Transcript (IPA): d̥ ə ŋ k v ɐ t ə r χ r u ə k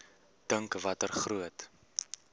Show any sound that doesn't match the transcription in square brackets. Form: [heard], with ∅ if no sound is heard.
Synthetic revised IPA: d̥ ə ŋ k v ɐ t ə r χ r u ə [t]